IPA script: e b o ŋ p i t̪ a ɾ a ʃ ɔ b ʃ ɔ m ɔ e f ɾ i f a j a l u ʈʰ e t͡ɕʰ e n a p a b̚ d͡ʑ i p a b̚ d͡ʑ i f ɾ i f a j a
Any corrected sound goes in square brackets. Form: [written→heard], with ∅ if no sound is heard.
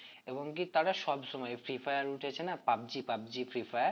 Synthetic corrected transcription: e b o ŋ [p→k] i t̪ a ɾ a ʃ ɔ b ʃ ɔ m ɔ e f ɾ i f a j a [l→ɾ] u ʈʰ e t͡ɕʰ e n a p a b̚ d͡ʑ i p a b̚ d͡ʑ i f ɾ i f a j a